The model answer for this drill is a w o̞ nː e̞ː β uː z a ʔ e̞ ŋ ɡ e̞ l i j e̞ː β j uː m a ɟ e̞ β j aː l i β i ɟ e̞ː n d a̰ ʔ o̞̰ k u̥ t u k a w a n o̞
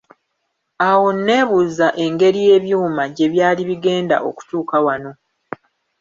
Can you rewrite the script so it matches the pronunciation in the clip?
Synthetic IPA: a w o̞ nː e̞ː β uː z a ʔ e̞ ŋ ɡ e̞ ɾ i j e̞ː β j uː m a ɟ e̞ β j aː l i β i ɡ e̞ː n d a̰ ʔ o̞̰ k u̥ t uː k a w a n o̞